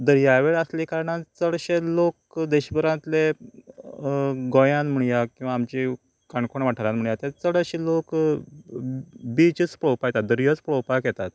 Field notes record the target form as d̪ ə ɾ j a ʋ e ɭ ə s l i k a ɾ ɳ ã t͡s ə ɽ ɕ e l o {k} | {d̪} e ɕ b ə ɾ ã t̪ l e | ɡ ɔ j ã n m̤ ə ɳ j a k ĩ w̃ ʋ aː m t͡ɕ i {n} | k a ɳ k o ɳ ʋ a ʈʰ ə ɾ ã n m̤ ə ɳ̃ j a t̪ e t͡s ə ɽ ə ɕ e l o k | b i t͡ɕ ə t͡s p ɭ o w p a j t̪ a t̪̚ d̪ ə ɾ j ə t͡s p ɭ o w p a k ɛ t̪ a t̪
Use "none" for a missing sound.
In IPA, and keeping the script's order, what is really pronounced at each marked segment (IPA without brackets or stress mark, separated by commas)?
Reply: k, d̪, none